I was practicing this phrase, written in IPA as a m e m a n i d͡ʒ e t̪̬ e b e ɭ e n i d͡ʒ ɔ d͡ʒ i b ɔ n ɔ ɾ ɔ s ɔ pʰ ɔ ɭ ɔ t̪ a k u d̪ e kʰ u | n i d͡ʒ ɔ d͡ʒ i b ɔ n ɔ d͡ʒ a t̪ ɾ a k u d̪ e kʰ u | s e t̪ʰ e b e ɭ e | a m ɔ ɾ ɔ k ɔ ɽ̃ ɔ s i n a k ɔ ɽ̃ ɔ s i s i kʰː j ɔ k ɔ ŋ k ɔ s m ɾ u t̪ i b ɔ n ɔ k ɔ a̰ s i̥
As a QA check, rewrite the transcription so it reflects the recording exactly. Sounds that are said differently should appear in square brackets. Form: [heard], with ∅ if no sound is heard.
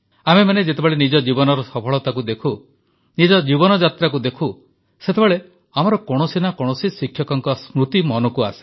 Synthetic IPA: a m e m a n [e] d͡ʒ e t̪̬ e b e ɭ e n i d͡ʒ ɔ d͡ʒ i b ɔ n ɔ ɾ ɔ s ɔ pʰ ɔ ɭ ɔ t̪ a k u d̪ e kʰ u | n i d͡ʒ ɔ d͡ʒ i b ɔ n ɔ d͡ʒ a t̪ ɾ a k u d̪ e kʰ u | s e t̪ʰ e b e ɭ e | a m ɔ ɾ ɔ k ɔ ɽ̃ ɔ s i n a k ɔ ɽ̃ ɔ s i s i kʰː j ɔ k ɔ ŋ k ɔ s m ɾ u t̪ i [m] ɔ n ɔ k [u] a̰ s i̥